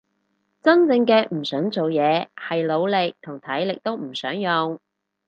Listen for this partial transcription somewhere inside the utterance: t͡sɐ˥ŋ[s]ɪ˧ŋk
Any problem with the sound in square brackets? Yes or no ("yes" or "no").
yes